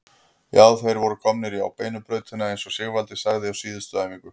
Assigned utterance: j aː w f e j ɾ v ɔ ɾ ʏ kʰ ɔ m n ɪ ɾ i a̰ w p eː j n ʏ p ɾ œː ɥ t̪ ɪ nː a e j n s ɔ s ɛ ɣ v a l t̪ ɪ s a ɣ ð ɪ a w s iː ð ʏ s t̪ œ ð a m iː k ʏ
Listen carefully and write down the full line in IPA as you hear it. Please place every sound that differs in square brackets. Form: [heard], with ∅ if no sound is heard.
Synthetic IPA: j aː w [θ] e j ɾ v ɔ ɾ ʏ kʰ ɔ m n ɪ ɾ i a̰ w p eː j n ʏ p ɾ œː ɥ t̪ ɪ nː a e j n s ɔ s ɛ ɣ v a l t̪ ɪ s a ɣ ð ɪ a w s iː ð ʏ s t̪ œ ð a m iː k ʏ